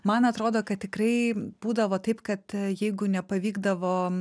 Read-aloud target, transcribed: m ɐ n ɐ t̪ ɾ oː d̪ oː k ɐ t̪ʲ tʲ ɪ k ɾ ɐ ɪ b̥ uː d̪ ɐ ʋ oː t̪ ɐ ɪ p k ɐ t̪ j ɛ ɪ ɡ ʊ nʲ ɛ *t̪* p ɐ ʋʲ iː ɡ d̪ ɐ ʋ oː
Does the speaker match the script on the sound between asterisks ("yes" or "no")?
no